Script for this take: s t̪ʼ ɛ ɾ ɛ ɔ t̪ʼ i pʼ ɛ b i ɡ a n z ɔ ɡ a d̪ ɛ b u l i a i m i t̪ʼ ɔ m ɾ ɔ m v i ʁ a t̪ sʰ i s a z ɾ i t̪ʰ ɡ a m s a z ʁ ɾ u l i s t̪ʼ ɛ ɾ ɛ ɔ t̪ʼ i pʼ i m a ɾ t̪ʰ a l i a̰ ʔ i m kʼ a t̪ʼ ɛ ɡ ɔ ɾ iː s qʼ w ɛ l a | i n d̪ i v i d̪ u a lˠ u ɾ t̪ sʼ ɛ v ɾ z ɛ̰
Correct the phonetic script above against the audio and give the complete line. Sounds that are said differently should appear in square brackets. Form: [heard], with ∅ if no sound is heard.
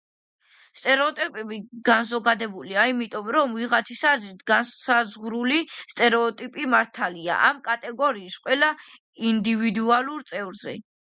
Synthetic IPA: s t̪ʼ ɛ ɾ ɛ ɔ t̪ʼ i pʼ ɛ b i ɡ a n z ɔ ɡ a d̪ ɛ b u l i a i m i t̪ʼ ɔ m ɾ ɔ m v i ʁ a t̪ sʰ i s a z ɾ i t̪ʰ ɡ a [n] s a z ʁ ɾ u l i s t̪ʼ ɛ ɾ ɛ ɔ t̪ʼ i pʼ i m a ɾ t̪ʰ a l i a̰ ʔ [a] m kʼ a t̪ʼ ɛ ɡ ɔ ɾ iː s qʼ w ɛ l a | i n d̪ i v i d̪ u a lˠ u ɾ t̪ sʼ ɛ v ɾ z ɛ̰